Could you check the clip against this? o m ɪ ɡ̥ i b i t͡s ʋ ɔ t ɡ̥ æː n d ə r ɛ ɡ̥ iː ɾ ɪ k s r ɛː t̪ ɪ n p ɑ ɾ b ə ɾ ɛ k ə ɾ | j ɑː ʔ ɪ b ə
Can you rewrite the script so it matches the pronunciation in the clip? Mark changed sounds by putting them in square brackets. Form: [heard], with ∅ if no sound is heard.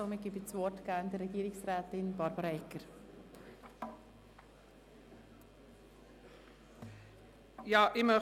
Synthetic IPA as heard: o m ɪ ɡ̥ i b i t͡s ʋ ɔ t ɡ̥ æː n d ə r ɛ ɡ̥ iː ɾ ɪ k s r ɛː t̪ ɪ n [b] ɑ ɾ b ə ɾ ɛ k ə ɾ | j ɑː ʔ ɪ [m] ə

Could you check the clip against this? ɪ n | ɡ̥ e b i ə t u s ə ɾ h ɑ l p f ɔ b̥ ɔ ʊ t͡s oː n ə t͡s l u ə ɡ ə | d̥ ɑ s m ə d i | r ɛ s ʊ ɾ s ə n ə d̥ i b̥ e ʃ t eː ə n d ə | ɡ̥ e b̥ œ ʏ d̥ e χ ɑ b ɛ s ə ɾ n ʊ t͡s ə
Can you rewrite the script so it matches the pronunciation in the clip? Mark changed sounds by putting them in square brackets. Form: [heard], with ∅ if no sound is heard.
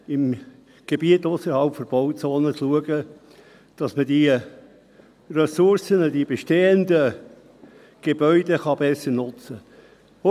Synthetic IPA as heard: ɪ [m] | ɡ̥ e b i ə t [ʊ] s ə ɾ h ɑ l p f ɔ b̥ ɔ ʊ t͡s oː n ə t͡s l u ə ɡ ə | d̥ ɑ s m ə d i | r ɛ s ʊ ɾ s ə n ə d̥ i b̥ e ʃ t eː ə n d ə | ɡ̥ e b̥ œ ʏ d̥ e χ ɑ b ɛ s ə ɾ n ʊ t͡s ə

